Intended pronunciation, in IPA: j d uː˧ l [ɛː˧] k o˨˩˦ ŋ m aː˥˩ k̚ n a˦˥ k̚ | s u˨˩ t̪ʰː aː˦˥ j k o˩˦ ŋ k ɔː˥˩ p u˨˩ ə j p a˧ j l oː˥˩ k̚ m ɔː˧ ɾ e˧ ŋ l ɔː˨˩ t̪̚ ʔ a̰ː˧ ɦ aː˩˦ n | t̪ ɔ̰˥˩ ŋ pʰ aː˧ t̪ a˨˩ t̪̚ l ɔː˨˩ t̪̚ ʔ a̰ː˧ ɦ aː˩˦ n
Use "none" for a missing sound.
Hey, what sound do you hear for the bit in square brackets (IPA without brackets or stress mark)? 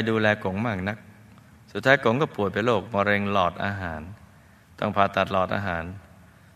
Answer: ɛː˧